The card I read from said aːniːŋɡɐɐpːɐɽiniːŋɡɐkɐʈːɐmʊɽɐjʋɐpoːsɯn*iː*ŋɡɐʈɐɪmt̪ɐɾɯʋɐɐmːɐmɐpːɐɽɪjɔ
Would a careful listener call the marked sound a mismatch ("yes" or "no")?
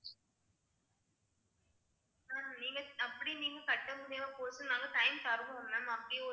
yes